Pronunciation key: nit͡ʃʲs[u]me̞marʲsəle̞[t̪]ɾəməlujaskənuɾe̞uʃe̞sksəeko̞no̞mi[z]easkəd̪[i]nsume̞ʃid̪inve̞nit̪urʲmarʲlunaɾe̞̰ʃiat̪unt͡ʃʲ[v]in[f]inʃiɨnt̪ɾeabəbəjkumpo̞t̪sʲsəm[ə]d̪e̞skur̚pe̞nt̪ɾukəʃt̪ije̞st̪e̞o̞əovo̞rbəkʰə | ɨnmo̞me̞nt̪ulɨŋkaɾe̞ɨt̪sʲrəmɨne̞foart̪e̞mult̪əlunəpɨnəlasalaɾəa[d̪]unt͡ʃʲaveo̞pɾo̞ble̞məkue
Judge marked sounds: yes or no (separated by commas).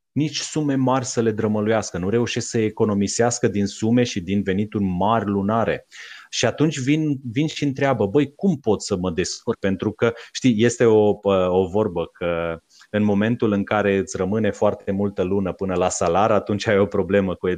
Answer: yes, no, no, yes, yes, no, yes, no